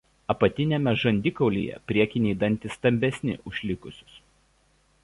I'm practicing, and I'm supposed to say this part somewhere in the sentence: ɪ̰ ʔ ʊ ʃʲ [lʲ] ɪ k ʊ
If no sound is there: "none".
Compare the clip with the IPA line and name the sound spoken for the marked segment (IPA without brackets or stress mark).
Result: lʲ